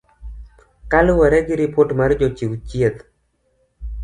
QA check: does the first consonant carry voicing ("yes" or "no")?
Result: no